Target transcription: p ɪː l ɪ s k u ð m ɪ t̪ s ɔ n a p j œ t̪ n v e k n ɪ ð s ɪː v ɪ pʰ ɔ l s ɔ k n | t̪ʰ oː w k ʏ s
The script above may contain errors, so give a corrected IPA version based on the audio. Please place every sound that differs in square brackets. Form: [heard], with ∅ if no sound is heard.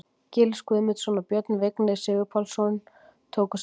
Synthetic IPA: [c] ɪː l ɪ s k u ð m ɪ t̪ s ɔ n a p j œ t̪ n v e k n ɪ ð s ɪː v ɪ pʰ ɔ l s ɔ [∅] n | t̪ʰ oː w k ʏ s